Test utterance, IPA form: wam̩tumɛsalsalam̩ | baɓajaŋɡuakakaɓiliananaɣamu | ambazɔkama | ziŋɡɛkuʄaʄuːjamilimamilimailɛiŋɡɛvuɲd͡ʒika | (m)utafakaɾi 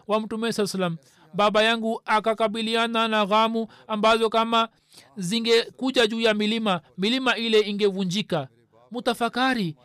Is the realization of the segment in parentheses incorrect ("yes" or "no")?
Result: no